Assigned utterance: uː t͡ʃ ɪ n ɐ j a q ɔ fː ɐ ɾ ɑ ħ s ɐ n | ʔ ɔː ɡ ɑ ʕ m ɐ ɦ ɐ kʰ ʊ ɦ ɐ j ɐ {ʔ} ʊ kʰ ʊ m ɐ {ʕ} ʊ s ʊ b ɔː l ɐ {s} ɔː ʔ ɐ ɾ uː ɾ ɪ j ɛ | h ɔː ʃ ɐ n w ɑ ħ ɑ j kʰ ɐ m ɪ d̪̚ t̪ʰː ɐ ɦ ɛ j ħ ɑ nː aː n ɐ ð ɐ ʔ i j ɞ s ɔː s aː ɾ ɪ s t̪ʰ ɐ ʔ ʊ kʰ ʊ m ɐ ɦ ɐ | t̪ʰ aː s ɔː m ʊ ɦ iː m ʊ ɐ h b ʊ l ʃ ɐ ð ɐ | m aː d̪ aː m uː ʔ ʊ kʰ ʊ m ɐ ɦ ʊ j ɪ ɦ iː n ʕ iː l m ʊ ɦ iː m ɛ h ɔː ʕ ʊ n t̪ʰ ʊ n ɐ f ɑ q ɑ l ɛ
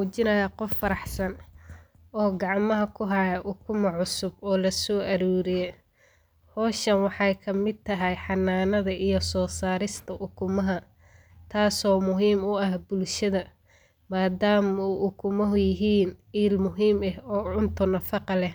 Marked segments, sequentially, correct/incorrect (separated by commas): correct, correct, correct